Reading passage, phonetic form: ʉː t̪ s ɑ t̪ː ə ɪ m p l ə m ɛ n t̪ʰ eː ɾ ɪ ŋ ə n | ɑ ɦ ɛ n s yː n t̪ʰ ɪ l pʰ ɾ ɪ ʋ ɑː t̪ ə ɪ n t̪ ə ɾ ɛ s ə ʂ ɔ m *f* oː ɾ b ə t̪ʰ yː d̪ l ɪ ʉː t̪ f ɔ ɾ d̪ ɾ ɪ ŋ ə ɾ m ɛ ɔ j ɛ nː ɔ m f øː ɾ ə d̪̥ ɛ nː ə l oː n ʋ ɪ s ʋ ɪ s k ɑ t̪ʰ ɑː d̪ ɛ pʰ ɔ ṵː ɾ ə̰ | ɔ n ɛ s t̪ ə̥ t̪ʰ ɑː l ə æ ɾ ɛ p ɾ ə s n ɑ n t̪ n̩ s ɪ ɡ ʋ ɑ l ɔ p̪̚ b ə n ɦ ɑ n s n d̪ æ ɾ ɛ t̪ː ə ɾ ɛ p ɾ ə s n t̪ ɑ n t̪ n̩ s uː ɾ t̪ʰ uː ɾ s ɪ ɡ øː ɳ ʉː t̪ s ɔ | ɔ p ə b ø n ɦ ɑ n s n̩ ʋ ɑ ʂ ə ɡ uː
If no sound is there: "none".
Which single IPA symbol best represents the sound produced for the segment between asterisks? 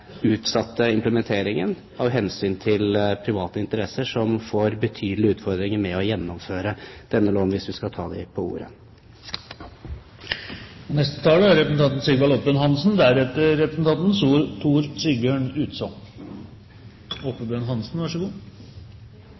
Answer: f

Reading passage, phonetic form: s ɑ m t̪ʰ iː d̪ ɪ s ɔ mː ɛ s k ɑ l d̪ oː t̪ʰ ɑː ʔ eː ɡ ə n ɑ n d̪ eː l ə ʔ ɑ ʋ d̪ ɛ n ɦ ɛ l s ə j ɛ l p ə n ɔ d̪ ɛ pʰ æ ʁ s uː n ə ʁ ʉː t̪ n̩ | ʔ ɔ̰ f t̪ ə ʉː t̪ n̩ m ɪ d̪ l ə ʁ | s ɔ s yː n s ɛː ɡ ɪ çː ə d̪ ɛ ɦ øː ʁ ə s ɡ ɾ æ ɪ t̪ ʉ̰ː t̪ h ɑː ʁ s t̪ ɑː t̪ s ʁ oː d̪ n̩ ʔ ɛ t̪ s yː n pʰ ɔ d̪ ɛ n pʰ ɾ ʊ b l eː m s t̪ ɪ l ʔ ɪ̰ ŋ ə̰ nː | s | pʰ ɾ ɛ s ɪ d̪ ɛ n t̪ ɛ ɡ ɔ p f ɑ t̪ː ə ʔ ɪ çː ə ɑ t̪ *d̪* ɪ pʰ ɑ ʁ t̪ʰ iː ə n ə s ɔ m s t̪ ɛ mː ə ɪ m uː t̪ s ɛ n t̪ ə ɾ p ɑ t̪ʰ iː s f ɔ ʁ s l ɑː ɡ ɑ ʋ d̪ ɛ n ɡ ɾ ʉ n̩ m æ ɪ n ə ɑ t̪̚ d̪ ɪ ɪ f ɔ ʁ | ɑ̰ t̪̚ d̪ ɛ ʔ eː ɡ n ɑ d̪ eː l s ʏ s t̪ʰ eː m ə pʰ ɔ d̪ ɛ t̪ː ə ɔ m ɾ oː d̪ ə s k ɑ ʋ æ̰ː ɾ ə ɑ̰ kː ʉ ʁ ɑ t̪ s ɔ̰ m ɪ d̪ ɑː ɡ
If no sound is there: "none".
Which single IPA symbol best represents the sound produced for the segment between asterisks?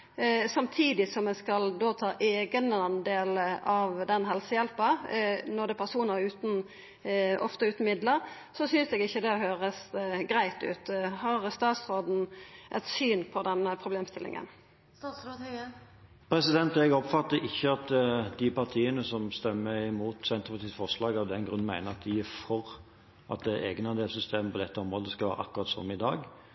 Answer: d̪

